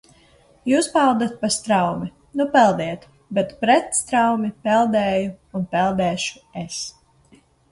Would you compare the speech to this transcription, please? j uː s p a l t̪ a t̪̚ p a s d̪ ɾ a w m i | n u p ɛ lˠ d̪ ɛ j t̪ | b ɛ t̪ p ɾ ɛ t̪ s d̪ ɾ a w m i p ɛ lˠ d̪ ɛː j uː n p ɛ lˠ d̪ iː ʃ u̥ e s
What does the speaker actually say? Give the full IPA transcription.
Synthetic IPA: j uː s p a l d̪ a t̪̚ p a s t̪ ɾ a w m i | n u p ɛ lˠ d̪ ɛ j t̪ | b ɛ t̪ p ɾ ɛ t̪ s t̪ ɾ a w m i p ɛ lˠ d̪ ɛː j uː n p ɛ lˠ d̪ ɛː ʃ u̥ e s